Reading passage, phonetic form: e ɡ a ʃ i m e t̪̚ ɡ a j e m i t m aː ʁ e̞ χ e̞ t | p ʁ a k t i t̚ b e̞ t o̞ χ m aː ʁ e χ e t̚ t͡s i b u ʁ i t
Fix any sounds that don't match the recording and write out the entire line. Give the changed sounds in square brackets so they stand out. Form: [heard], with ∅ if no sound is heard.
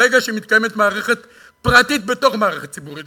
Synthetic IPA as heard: e ɡ a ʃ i m [i] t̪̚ [k] a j e m [e] t m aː ʁ e̞ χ e̞ t | p ʁ a [∅] t i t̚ b e̞ t o̞ χ m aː ʁ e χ e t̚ t͡s i b u ʁ i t